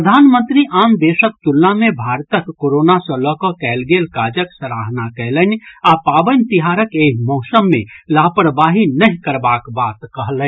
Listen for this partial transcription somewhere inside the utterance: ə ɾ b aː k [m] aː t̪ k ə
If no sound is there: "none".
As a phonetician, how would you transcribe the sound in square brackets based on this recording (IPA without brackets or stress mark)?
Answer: b